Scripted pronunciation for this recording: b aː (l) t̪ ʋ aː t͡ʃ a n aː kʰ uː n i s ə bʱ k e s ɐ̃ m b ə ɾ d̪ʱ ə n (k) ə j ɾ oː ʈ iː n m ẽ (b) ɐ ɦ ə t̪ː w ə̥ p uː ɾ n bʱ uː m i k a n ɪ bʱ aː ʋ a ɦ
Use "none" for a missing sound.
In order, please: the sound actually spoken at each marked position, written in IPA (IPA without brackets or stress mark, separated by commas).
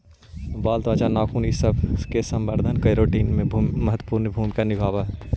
l, k, m